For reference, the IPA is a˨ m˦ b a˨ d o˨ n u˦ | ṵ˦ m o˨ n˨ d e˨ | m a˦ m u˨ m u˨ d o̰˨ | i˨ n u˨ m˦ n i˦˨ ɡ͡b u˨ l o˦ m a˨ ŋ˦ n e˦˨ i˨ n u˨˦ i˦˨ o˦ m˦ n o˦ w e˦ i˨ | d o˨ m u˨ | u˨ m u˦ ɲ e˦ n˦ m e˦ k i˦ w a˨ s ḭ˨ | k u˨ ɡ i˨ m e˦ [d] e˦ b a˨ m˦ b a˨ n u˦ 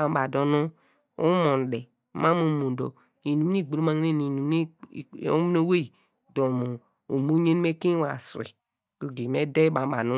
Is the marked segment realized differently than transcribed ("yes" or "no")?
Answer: no